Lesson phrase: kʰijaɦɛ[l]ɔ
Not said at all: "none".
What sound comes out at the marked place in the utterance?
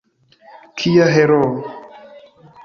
ɾ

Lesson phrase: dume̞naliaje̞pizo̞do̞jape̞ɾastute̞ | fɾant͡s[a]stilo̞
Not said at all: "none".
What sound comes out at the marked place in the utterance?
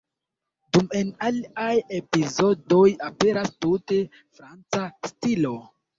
a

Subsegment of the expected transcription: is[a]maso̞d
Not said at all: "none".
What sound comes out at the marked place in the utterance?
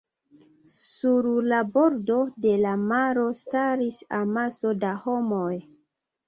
a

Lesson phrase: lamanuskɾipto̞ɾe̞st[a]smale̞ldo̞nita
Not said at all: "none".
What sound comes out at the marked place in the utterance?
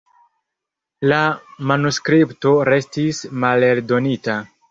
i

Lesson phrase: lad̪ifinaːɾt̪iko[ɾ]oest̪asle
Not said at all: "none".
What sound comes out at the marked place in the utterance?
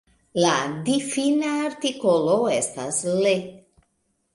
l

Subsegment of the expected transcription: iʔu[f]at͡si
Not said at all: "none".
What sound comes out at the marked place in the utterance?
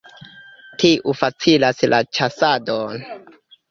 f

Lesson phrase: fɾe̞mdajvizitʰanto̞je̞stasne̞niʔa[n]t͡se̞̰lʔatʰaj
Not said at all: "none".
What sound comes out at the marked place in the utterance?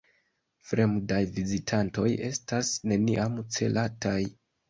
m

